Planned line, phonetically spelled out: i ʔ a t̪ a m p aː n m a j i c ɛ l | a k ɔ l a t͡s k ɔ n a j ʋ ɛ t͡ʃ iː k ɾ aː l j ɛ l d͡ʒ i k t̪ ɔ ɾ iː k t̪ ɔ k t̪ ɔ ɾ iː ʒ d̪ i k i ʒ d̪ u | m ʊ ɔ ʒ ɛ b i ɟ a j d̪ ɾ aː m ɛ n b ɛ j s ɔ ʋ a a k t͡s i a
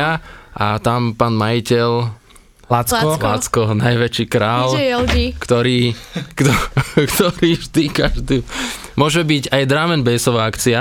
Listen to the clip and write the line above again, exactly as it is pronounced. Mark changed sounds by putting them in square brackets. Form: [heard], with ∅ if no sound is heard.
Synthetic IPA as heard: [a] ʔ a t̪ a m p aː n m a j i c ɛ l | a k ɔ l a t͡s k ɔ n a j ʋ ɛ t͡ʃ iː k ɾ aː l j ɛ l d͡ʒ i k t̪ ɔ ɾ iː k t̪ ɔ k t̪ ɔ ɾ iː ʒ d̪ i k [a] ʒ d̪ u | m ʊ ɔ ʒ ɛ b i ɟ a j d̪ ɾ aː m ɛ n b ɛ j s ɔ ʋ a a k t͡s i a